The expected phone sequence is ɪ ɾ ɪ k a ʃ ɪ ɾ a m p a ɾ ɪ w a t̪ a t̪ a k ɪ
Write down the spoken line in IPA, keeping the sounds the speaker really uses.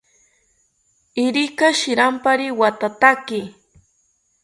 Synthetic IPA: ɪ ɾ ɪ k a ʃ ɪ ɾ a m p a ɾ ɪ w a t̪ a t̪ a k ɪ